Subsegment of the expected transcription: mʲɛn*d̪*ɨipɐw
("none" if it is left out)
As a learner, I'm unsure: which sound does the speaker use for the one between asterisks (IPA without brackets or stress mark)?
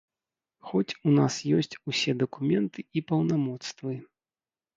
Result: t̪